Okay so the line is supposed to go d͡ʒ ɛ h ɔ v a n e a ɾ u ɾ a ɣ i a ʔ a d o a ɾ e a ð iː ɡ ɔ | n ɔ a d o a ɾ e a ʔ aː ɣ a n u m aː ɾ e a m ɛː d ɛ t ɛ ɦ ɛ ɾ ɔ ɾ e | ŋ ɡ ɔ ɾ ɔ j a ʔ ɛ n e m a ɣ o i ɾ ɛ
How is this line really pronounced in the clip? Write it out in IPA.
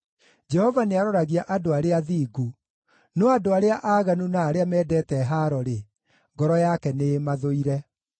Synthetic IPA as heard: d͡ʒ ɛ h ɔ v a n e a ɾ ɔ ɾ a ɣ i a ʔ a d o a ɾ e a ð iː ɡ u | n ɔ a d o a ɾ e a ʔ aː ɣ a n u n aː ɾ e a m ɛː d ɛ t ɛ ɦ a ɾ ɔ ɾ e | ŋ ɡ ɔ ɾ ɔ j a k ɛ n e m a ð o i ɾ ɛ